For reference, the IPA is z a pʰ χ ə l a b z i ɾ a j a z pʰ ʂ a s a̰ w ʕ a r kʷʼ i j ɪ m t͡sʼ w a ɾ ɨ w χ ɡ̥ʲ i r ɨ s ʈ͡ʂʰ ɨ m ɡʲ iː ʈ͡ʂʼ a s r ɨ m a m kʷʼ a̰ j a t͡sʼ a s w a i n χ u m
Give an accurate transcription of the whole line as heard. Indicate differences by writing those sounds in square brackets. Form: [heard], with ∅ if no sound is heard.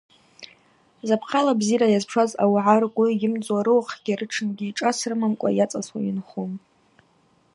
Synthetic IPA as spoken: z a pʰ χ [a] l a b z i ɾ a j a z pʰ ʂ a [z] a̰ w ʕ a r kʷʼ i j ɪ m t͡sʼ w a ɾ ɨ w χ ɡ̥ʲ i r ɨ [∅] ʈ͡ʂʰ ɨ [n] ɡʲ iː ʈ͡ʂʼ a s r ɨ m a m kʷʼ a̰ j a t͡sʼ a s w a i n χ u m